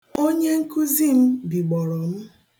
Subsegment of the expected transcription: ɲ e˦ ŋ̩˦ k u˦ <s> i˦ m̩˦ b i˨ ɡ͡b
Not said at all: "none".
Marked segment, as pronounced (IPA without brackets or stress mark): z